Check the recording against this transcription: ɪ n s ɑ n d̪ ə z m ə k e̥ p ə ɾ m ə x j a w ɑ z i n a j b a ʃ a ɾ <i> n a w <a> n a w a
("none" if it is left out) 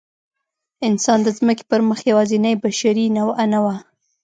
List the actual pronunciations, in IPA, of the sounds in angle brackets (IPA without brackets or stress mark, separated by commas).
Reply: i, a